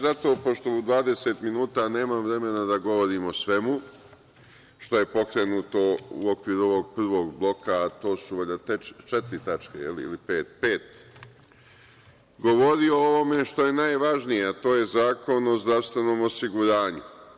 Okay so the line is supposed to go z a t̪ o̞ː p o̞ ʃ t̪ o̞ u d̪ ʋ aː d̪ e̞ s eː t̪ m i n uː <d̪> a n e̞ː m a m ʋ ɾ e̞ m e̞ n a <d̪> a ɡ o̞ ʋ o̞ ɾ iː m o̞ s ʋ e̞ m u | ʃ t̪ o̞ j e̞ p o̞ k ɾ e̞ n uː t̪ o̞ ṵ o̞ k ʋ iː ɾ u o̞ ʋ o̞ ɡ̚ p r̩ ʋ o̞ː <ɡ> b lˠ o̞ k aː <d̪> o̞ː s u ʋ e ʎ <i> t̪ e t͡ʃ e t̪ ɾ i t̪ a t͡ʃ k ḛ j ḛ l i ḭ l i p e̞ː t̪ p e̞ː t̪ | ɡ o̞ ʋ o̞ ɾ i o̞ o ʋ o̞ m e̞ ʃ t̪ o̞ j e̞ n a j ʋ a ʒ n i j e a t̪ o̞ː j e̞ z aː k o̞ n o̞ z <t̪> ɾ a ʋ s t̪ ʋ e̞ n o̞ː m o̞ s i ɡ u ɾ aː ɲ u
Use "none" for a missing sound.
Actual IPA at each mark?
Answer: t̪, d̪, ɡ, t̪, a, d̪

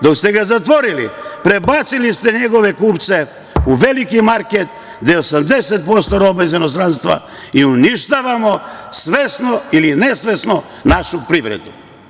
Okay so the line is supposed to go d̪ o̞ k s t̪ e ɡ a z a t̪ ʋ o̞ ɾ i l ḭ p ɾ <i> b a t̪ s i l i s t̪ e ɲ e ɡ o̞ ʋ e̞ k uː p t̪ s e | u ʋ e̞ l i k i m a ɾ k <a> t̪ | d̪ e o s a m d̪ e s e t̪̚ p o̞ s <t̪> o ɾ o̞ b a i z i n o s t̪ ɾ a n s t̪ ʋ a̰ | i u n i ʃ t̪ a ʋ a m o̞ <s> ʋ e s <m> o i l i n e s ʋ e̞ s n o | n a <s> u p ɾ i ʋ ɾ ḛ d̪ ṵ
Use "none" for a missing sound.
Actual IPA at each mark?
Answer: e, e, t̪, s, n, ʃ

